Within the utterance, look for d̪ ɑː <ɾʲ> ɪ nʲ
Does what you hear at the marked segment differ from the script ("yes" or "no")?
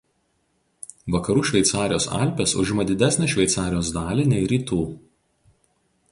yes